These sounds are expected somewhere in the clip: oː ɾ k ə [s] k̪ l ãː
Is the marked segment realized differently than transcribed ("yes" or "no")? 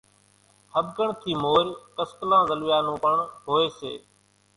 no